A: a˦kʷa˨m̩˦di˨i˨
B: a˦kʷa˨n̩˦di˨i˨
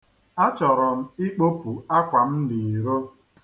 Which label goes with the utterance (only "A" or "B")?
A